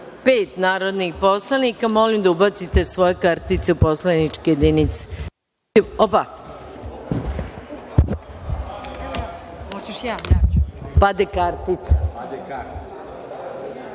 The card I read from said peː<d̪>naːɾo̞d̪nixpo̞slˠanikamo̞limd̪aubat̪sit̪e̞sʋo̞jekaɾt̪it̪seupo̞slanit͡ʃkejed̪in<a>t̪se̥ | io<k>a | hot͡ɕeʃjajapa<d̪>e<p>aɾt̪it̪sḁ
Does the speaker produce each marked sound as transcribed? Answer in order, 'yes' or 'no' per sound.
no, no, no, yes, no

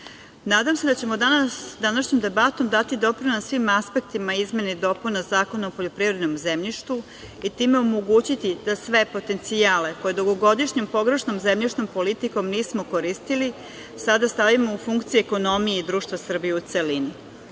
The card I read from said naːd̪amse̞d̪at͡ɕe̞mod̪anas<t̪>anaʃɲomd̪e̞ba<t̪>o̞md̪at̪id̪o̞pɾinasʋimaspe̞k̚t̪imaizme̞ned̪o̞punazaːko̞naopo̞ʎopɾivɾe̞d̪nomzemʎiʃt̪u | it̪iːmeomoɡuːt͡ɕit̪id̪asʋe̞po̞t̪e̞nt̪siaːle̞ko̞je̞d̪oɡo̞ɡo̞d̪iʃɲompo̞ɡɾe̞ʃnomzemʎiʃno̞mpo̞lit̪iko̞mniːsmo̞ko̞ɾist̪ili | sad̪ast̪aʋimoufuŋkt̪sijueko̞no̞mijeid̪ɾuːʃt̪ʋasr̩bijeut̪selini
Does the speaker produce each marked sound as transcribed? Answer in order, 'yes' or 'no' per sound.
no, yes

